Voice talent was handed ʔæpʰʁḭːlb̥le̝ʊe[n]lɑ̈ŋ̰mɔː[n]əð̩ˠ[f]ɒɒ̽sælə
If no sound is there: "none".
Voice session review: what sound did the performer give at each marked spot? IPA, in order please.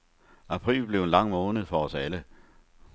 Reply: n, n, f

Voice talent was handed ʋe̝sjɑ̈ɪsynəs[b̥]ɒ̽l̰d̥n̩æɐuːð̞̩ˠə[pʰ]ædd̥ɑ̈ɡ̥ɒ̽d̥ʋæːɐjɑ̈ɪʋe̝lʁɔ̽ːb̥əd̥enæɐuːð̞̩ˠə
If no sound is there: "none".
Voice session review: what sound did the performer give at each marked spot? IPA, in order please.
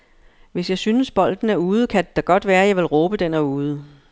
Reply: b̥, kʰ

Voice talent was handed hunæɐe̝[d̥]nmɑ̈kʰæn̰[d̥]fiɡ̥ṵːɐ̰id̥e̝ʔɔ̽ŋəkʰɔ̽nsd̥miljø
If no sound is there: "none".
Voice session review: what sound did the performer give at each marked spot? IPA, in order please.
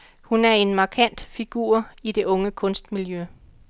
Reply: none, d̥

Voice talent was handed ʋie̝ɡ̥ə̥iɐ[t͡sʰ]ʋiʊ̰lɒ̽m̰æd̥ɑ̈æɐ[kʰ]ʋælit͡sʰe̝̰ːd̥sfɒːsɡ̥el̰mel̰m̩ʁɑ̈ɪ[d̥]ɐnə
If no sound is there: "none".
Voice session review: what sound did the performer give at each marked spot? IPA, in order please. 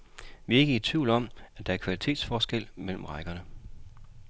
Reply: t͡sʰ, kʰ, ɡ̥

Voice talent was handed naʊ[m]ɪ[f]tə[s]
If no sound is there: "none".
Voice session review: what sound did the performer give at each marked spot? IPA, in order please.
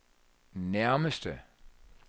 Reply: m, s, none

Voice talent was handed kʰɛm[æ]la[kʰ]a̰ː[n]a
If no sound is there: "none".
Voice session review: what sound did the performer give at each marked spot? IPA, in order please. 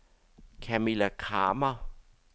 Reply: i, kʰ, m

